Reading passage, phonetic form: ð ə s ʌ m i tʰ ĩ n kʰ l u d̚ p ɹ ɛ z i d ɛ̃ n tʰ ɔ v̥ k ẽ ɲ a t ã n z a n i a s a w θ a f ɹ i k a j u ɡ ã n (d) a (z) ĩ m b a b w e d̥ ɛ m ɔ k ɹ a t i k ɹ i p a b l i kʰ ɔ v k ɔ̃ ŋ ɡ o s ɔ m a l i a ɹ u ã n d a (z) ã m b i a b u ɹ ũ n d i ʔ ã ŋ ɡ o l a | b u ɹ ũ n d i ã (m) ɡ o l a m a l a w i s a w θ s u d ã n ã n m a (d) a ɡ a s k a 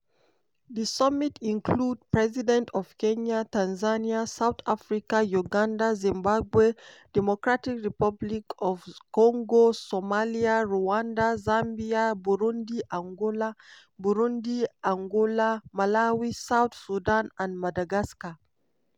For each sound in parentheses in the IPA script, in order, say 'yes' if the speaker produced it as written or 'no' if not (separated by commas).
yes, yes, yes, no, yes